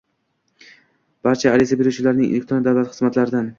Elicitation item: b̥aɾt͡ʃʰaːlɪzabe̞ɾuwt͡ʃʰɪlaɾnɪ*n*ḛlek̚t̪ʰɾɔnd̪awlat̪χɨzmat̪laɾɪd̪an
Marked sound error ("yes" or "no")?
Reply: yes